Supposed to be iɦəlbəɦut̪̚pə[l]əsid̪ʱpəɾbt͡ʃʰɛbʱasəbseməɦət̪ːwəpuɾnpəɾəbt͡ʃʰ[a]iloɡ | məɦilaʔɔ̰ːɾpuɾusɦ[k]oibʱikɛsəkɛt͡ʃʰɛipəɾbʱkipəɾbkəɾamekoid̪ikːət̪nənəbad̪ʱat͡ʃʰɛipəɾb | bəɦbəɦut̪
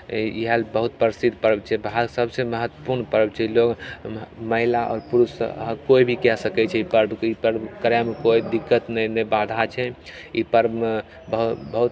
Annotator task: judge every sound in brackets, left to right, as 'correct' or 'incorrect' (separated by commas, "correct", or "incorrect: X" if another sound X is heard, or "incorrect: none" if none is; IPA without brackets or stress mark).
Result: incorrect: ɾ, incorrect: ɛ, correct